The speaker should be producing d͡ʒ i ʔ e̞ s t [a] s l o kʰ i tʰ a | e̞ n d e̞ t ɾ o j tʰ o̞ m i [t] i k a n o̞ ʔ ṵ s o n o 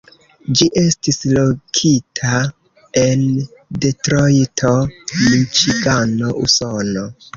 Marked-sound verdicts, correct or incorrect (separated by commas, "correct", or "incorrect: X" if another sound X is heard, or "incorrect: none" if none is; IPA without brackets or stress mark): incorrect: i, incorrect: t͡ʃ